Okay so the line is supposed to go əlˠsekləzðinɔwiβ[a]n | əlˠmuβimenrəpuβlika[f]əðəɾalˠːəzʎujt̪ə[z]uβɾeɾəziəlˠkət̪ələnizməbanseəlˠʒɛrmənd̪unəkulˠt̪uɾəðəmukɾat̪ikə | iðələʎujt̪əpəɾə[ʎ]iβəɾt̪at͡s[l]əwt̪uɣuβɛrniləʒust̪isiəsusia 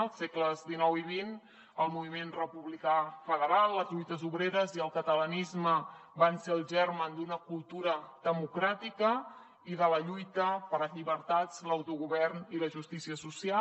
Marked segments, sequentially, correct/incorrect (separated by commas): incorrect, correct, correct, correct, correct